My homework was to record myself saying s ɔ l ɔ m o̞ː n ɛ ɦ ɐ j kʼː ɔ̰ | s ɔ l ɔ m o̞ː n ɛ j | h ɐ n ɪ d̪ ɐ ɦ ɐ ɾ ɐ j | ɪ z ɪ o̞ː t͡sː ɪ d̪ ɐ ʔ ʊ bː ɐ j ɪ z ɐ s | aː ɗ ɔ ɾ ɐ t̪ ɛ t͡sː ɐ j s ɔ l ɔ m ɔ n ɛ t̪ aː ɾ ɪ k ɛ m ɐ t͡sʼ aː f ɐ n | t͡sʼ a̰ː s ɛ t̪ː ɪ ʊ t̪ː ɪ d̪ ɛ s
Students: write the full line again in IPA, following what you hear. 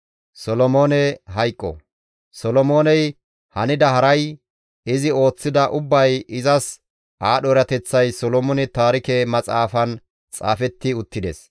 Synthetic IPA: s ɔ l ɔ m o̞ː n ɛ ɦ ɐ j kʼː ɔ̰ | s ɔ l ɔ m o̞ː n ɛ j | h ɐ n ɪ d̪ ɐ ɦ ɐ ɾ ɐ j | ɪ z ɪ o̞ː t͡sː ɪ d̪ ɐ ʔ ʊ bː ɐ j ɪ z ɐ s | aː ɗ ɔ ɾ ɐ t̪ ɛ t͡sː ɐ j s ɔ l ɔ m ɔ n ɛ t̪ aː ɾ ɪ k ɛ m ɐ t͡sʼ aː f ɐ n | t͡sʼ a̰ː f ɛ t̪ː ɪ ʊ t̪ː ɪ d̪ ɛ s

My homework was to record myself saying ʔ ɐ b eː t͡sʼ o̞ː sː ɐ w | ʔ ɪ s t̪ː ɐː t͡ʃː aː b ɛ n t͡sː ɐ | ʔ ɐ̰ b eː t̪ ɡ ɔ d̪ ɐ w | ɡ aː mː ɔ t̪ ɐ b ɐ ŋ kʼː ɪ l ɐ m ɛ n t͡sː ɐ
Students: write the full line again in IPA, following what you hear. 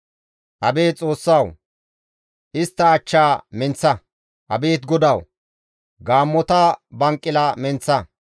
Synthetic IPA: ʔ ɐ b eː t͡sʼ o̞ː sː ɐ w | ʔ ɪ s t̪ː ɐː t͡ʃː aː m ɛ n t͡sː ɐ | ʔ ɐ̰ b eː t̪ ɡ ɔ d̪ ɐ w | ɡ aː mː ɔ t̪ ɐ b ɐ ŋ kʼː ɪ l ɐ m ɛ n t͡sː ɐ

